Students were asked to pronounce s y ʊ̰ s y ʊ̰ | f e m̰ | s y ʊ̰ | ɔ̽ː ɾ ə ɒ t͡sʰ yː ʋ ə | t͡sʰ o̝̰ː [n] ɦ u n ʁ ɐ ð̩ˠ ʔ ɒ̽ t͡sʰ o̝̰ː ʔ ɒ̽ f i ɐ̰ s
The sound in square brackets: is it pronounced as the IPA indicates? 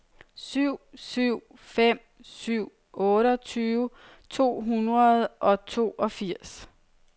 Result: no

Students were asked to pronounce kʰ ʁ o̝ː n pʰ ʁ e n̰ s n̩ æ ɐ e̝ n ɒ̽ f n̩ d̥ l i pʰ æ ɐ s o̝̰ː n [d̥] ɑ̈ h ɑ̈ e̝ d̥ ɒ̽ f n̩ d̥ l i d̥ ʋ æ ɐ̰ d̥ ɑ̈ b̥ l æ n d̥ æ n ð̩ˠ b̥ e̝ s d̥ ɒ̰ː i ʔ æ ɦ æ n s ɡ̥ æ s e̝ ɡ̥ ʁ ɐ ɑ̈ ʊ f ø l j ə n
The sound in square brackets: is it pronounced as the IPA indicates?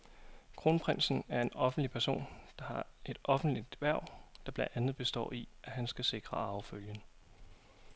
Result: yes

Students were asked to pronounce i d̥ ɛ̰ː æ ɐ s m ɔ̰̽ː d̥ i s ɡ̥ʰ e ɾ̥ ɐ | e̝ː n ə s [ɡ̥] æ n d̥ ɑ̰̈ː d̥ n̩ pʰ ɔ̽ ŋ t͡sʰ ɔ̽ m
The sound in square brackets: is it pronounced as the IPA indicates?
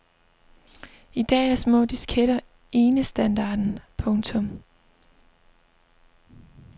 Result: no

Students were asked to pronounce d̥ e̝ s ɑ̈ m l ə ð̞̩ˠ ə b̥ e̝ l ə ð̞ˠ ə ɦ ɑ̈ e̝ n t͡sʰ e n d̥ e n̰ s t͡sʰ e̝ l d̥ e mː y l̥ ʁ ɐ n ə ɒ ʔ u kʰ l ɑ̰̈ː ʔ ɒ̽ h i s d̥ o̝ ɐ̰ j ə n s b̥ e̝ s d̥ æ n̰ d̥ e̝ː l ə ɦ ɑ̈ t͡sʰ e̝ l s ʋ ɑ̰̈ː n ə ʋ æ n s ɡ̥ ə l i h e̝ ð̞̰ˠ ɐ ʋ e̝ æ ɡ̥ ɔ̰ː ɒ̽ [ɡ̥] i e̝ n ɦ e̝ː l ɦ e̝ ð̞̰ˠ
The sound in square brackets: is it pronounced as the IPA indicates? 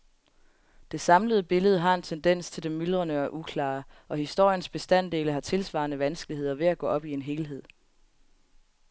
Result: no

